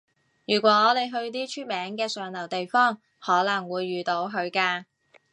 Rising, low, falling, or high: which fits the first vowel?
low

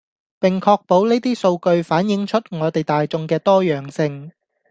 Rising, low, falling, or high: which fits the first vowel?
low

